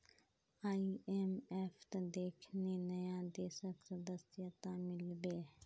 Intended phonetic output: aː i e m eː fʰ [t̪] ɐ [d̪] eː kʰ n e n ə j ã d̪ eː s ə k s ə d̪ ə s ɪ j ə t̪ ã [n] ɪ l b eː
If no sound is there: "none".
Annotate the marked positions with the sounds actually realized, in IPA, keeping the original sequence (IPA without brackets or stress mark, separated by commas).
t̪, d̪, m